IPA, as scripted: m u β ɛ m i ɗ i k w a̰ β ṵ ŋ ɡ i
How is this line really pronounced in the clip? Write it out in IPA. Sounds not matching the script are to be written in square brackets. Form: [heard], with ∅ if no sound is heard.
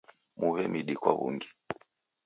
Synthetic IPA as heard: m u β ɛ m i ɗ i k w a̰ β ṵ ŋ ɡ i